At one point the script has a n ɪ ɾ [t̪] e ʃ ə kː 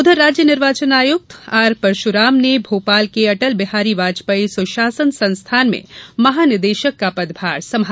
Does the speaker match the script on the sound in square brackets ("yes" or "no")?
no